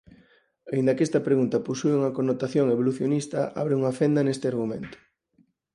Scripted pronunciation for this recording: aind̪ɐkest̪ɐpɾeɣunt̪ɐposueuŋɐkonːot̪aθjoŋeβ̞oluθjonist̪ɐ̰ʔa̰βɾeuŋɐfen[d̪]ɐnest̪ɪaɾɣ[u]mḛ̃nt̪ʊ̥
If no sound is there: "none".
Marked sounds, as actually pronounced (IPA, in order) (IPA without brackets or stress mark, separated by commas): d̪, u